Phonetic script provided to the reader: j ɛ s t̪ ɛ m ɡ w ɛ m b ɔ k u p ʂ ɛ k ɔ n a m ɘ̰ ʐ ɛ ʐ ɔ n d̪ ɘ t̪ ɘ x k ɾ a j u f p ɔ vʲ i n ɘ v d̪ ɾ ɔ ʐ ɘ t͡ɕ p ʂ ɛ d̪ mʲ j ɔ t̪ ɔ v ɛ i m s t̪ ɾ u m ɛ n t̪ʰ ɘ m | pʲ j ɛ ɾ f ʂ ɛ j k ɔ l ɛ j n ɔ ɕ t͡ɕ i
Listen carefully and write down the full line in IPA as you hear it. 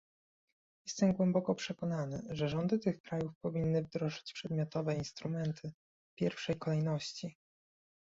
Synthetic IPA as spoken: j ɛ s t̪ ɛ m ɡ w ɛ m b ɔ k ɔ p ʂ ɛ k ɔ n a n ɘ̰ ʐ ɛ ʐ ɔ n d̪ ɘ t̪ ɘ x k ɾ a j u f p ɔ vʲ i nː ɘ v d̪ ɾ ɔ ʐ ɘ t͡ɕ p ʂ ɛ d̪ mʲ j ɔ t̪ ɔ v ɛ i n s t̪ ɾ u m ɛ n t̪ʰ ɘ | pʲ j ɛ ɾ f ʂ ɛ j k ɔ l ɛ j n ɔ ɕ t͡ɕ i

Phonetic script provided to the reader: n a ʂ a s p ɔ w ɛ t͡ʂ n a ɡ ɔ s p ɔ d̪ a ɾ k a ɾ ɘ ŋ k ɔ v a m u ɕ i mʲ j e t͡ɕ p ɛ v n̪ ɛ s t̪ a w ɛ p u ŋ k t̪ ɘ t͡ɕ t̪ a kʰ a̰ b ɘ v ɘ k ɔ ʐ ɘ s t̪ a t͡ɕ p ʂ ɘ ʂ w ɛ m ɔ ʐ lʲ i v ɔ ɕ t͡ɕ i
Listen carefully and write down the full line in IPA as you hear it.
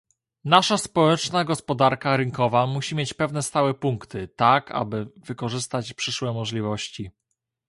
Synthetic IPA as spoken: n a ʂ a s p ɔ w ɛ t͡ʂ n a ɡ ɔ s p ɔ d̪ a ɾ k a ɾ ɘ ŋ k ɔ v a m u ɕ i mʲ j e t͡ɕ p ɛ v n̪ ɛ s t̪ a w ɛ p u ŋ k t̪ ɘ t̪ a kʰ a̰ b ɘ v ɘ k ɔ ʐ ɘ s t̪ a t͡ɕ p ʂ ɘ ʂ w ɛ m ɔ ʐ lʲ i v ɔ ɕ t͡ɕ i

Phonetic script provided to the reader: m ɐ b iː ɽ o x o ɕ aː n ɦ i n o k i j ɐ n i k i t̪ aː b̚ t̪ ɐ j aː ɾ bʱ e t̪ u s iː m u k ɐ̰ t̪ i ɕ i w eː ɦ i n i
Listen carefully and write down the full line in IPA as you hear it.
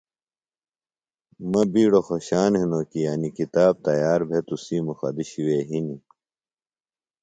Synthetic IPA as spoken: m ɐ b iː ɽ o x o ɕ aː n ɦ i n o k i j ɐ n i k i t̪ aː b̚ t̪ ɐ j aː ɾ bʱ e t̪ u s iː m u x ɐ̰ d̪ i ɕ i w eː ɦ i n i

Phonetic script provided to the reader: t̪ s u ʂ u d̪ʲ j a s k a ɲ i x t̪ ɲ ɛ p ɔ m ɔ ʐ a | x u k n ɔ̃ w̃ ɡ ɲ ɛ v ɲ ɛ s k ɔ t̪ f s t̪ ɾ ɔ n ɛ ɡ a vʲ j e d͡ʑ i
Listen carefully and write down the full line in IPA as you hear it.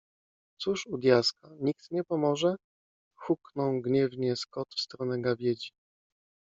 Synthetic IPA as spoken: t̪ s u ʂ u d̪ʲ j a s k a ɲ i k t̪ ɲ ɛ p ɔ m ɔ ʐ ɛ | x u k n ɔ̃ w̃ ɡ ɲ ɛ v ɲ ɛ s k ɔ t̪ f s t̪ ɾ ɔ n ɛ ɡ a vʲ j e d͡ʑ i

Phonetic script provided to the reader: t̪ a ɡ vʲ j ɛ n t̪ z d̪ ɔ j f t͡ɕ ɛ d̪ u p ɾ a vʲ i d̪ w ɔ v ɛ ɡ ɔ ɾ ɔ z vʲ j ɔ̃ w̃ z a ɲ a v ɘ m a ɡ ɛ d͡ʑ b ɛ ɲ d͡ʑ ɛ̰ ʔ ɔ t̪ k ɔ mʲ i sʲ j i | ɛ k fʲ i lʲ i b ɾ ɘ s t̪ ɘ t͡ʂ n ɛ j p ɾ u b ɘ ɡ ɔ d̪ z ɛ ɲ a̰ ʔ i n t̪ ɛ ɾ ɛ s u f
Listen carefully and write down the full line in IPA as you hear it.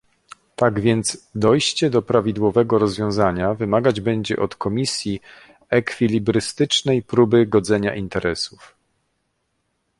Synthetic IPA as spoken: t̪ a ɡ vʲ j ɛ n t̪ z d̪ ɔ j ɕ t͡ɕ ɛ d̪ ɔ p ɾ a vʲ i d̪ w ɔ v ɛ ɡ ɔ ɾ ɔ z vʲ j ɔ̃ w̃ z a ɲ a v ɘ m a ɡ a d͡ʑ b ɛ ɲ d͡ʑ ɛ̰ ʔ ɔ t̪ k ɔ mʲ i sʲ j i | ɛ k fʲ i lʲ i b ɾ ɘ s t̪ ɘ t͡ʂ n ɛ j p ɾ u b ɘ ɡ ɔ d̪ z ɛ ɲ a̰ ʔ i n t̪ ɛ ɾ ɛ s u f

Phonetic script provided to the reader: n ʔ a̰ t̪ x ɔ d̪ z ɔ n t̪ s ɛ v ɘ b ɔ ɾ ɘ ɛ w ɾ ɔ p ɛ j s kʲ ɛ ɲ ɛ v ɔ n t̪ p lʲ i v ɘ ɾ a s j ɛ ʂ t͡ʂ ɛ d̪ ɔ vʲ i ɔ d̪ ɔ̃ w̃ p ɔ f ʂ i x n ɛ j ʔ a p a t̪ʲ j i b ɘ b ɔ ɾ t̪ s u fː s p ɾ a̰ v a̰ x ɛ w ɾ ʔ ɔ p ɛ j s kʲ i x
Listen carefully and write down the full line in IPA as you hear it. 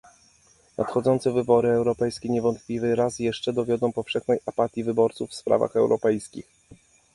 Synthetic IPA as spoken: n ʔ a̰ t̪ x ɔ d̪ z ɔ n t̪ s ɛ v ɘ b ɔ ɾ ɘ ɛ w ɾ ɔ p ɛ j s kʲ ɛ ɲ ɛ v ɔ n t̪ p lʲ i v ɘ ɾ a s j ɛ ʂ t͡ʂ ɛ d̪ ɔ vʲ j ɔ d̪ ɔ̃ w̃ p ɔ f ʂ ɛ x n ɛ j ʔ a p a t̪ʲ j i v ɘ b ɔ ɾ t̪ s u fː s p ɾ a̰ v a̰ x ɛ w ɾ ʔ ɔ p ɛ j s kʲ i x

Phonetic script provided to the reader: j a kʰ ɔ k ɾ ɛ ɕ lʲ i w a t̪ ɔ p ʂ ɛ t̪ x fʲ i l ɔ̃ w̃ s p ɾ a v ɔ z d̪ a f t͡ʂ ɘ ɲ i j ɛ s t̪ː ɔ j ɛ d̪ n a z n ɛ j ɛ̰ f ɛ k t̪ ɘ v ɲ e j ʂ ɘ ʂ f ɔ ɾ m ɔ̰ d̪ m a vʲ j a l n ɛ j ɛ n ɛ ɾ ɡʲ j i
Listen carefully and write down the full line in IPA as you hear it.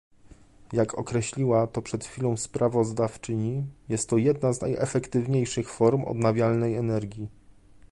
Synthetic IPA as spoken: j a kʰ ɔ k ɾ ɛ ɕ lʲ i w a t̪ ɔ p ʂ ɛ t̪ x fʲ i l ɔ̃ w̃ s p ɾ a v ɔ z d̪ a f t͡ʂ ɘ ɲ i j ɛ s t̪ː ɔ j ɛ d̪ n a z n a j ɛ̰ f ɛ k t̪ ɘ v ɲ e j ʂ ɘ x f ɔ ɾ m ɔ̰ d̪ n a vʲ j a l n ɛ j ɛ n ɛ ɾ ɡʲ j i

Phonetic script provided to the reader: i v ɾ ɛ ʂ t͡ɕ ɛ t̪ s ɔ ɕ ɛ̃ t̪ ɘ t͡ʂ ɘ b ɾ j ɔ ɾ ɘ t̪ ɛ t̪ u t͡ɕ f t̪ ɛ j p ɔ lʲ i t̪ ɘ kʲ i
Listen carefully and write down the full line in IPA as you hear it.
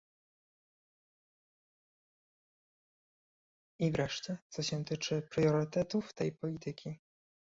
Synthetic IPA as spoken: i v ɾ ɛ ʂ t͡ɕ ɛ t̪ s ɔ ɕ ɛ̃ t̪ ɘ t͡ʂ ɘ p ɾ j ɔ ɾ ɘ t̪ ɛ t̪ u f t̪ ɛ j p ɔ lʲ i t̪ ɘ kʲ i

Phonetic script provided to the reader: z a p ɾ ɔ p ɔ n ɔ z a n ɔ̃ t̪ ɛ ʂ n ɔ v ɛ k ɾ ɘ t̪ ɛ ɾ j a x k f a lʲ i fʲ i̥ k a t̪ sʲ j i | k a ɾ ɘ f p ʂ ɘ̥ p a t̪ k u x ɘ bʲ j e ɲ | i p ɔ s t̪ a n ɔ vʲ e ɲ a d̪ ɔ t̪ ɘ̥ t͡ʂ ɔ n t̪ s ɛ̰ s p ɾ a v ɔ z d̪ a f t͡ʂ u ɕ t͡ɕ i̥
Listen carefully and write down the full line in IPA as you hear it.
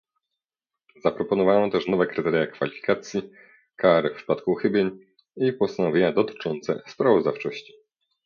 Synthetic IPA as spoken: z a p ɾ ɔ p ɔ n ɔ v a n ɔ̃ t̪ ɛ ʂ n ɔ v ɛ k ɾ ɘ t̪ ɛ ɾ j a k f a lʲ i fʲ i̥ k a t̪ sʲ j i | k a ɾ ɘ f p ʂ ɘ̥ p a t̪ k u x ɘ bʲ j e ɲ | i p ɔ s t̪ a n ɔ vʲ e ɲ a d̪ ɔ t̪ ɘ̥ t͡ʂ ɔ n t̪ s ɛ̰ s p ɾ a v ɔ z d̪ a f t͡ʂ ɔ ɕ t͡ɕ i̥

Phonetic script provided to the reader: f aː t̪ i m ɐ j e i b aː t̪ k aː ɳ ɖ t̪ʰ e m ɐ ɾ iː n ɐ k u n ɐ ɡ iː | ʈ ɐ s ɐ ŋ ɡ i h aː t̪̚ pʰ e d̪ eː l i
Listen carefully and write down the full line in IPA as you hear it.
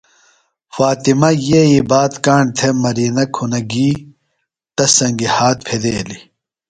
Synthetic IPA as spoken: f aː t̪ i m ɐ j e i b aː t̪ k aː ɳ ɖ t̪ʰ e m ɐ ɾ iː n ɐ kʰ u n ɐ ɡ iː | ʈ ɐ s ɐ ŋ ɡ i h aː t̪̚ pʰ e d̪ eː l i

